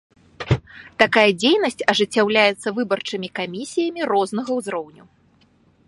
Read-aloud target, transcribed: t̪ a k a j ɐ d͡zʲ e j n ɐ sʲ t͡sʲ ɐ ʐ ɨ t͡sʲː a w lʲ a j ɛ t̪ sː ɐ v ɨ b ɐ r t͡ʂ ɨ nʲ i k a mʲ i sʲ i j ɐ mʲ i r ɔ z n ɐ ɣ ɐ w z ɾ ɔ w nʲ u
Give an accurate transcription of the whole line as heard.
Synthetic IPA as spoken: t̪ a k a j ɐ d͡zʲ e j n ɐ sʲ t͡sʲ ɐ ʐ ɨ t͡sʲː a w lʲ a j ɛ t̪ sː ɐ v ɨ b ɐ r t͡ʂ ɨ mʲ i k a mʲ i sʲ i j ɐ mʲ i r ɔ z n ɐ ɣ ɐ w z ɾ ɔ w nʲ u